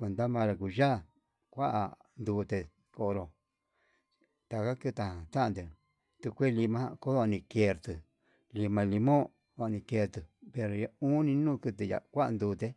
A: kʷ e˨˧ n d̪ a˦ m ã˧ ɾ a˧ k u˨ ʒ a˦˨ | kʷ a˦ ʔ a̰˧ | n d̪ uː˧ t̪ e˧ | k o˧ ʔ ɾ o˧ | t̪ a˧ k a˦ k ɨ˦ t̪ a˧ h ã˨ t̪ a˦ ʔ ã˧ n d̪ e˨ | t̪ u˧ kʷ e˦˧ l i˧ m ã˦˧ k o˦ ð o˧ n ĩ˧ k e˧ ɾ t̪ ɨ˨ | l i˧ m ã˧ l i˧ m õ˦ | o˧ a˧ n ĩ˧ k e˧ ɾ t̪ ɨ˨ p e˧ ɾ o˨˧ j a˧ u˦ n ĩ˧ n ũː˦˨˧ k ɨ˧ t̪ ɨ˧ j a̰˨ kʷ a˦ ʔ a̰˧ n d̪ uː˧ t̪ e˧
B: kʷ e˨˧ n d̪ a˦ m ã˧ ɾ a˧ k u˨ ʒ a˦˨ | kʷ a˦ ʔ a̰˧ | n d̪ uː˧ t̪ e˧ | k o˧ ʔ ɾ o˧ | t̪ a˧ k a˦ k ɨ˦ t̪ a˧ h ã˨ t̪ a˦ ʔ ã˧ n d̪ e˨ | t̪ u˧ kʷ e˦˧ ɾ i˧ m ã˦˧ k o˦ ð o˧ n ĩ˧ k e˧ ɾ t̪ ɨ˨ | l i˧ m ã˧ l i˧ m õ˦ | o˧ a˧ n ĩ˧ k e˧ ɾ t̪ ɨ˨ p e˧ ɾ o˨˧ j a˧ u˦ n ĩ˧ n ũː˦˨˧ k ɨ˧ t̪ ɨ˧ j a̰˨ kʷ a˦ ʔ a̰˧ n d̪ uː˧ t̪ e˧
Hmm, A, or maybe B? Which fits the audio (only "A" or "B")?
A